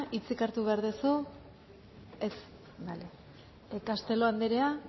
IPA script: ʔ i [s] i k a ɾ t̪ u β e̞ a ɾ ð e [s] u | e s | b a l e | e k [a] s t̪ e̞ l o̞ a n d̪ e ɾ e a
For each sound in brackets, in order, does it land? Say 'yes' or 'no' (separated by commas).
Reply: no, yes, yes